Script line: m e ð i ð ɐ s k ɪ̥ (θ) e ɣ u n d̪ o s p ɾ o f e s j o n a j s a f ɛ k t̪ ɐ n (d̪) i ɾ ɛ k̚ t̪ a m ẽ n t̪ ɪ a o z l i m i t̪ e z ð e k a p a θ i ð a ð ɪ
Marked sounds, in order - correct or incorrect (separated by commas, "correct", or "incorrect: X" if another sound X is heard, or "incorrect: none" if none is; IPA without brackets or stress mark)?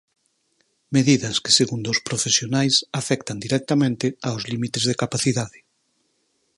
incorrect: s, correct